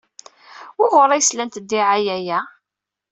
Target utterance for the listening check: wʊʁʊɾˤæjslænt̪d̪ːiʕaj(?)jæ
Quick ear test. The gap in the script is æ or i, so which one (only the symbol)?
æ